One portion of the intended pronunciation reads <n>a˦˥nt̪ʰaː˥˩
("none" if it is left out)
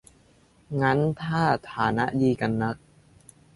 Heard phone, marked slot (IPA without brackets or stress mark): ŋ